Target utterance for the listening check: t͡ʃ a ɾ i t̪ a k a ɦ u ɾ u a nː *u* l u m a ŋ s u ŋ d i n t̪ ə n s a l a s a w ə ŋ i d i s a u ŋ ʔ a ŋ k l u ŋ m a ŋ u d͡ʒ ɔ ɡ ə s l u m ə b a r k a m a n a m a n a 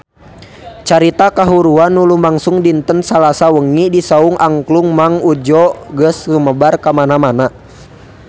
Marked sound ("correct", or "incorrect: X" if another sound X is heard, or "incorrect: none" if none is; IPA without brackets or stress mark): correct